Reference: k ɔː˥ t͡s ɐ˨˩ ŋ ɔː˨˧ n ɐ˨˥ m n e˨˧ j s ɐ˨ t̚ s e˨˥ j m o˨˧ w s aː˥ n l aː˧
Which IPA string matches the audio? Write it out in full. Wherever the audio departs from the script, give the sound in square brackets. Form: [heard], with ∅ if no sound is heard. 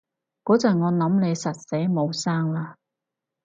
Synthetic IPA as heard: k [ɔː˨˥] t͡s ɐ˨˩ ŋ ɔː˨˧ n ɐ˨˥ m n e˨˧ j s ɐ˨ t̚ s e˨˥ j m o˨˧ w s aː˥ [ŋ] l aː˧